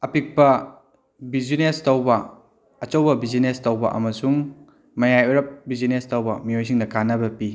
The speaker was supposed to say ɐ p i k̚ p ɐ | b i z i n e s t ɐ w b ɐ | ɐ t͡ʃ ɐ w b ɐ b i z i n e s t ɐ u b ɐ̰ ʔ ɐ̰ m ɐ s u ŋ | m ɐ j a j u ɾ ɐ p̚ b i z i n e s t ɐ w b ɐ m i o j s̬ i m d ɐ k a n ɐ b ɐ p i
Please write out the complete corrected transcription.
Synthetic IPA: ɐ p i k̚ p ɐ | b i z i n e s t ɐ w b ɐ | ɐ t͡ʃ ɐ w b ɐ b i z i n e s t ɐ w b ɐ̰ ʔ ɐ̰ m ɐ s u ŋ | m ɐ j a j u ɾ ɐ p̚ b i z i n e s t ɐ w b ɐ m i o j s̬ i ŋ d ɐ k a n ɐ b ɐ p i